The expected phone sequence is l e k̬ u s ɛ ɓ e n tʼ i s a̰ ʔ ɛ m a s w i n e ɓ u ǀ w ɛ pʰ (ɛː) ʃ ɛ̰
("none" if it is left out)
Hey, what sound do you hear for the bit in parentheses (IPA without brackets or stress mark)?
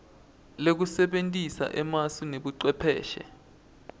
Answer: ɛː